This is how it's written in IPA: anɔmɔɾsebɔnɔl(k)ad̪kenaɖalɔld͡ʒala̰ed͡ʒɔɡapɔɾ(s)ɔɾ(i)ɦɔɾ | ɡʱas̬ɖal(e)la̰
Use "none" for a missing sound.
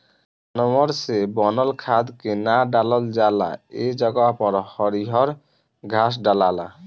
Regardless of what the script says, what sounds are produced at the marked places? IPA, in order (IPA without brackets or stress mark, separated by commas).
kʰ, h, i, a